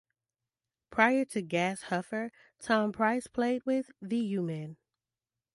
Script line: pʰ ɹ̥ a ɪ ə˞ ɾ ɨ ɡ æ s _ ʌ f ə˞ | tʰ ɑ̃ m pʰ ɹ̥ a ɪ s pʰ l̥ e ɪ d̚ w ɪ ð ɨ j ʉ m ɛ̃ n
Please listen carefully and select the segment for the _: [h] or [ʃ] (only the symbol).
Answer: h